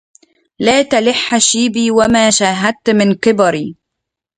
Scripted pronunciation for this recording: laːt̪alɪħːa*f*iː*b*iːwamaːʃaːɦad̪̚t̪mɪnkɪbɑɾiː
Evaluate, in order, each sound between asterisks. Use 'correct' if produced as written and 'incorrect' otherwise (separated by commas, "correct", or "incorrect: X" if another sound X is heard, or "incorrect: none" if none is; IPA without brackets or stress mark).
incorrect: ʃ, correct